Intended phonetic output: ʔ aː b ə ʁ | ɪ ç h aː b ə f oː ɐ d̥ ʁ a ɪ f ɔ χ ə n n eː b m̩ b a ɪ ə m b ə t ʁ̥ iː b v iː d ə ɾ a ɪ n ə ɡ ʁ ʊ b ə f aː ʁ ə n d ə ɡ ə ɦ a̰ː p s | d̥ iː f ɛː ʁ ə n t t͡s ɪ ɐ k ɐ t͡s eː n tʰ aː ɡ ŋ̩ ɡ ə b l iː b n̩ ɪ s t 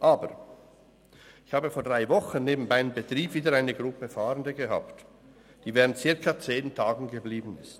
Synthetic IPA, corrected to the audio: ʔ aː b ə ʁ | ɪ ç h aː b ə f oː ɐ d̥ ʁ a ɪ v ɔ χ ə n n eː b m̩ b a ɪ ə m b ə t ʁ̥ iː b v iː d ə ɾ a ɪ n ə ɡ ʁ ʊ p ə f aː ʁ ə n d ə ɡ ə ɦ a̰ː p t | d̥ iː v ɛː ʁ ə n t t͡s ɪ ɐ k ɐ t͡s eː n tʰ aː ɡ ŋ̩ ɡ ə b l iː b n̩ ɪ s t